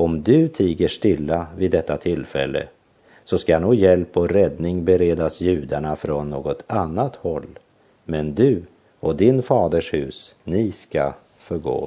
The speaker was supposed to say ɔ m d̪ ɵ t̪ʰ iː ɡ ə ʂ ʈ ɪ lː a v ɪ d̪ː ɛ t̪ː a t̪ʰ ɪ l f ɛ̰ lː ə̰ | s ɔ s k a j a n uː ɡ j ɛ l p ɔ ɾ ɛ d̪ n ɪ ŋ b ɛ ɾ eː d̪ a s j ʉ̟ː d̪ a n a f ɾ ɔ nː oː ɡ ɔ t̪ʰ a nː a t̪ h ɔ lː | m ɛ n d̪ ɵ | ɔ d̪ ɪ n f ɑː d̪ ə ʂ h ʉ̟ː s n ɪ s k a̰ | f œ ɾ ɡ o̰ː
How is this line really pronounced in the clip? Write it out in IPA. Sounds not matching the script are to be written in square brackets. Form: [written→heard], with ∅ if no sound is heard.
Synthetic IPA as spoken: ɔ m d̪ ɵ t̪ʰ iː ɡ ə ʂ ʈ ɪ lː a v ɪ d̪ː ɛ t̪ː a t̪ʰ ɪ l f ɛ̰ lː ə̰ | s ɔ s k a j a n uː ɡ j ɛ l p ɔ ɾ ɛ d̪ n ɪ ŋ b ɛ ɾ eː d̪ a s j ʉ̟ː d̪ a [n→ɳ] a f ɾ ɔ nː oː ɡ ɔ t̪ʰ a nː a t̪ h ɔ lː | m ɛ n d̪ ɵ | ɔ d̪ ɪ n f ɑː d̪ ə ʂ h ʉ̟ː s n ɪ s k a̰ | f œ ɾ ɡ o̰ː